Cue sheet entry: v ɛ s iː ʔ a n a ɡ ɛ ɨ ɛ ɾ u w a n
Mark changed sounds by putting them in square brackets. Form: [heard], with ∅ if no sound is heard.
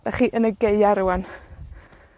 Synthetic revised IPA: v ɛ [χ] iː ʔ [ə] n [ə] ɡ [e] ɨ [a] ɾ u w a n